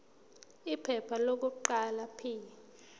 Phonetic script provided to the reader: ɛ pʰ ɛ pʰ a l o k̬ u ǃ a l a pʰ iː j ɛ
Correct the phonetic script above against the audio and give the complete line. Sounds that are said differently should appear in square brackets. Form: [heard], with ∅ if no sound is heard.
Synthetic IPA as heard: [i] pʰ ɛ pʰ a l o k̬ u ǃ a l a pʰ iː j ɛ